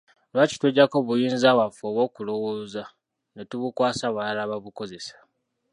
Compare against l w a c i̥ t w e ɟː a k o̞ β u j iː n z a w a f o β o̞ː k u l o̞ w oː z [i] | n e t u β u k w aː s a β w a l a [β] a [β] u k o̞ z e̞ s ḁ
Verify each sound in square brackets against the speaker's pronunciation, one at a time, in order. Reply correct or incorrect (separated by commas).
incorrect, correct, correct